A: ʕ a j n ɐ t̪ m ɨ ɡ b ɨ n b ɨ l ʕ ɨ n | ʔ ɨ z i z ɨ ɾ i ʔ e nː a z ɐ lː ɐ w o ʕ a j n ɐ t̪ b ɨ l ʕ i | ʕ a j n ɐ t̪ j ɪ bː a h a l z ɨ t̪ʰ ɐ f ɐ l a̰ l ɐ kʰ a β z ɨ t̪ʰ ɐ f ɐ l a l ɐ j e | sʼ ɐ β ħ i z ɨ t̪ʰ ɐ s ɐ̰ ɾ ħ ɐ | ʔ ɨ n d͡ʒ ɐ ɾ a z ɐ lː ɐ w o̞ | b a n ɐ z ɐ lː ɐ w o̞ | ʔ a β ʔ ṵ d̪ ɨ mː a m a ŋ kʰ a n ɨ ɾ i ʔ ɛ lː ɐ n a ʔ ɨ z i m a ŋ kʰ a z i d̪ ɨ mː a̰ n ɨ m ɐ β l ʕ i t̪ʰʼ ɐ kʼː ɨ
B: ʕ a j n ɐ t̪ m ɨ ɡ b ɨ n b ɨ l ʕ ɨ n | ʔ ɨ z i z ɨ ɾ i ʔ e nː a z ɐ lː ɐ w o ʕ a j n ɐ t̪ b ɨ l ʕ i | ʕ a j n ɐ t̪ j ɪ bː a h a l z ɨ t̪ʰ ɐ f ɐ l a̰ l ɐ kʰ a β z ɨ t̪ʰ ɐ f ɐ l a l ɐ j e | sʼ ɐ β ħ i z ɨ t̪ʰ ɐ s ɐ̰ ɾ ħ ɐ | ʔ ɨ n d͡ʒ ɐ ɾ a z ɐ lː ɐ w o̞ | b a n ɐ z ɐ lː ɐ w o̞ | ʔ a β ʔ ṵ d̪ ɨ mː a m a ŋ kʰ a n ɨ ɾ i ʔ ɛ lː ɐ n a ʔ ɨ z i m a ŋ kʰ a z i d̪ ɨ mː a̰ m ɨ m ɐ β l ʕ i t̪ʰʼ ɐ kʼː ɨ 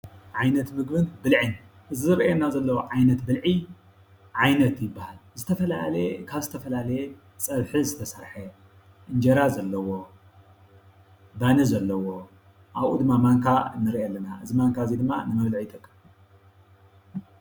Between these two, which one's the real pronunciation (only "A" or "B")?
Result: A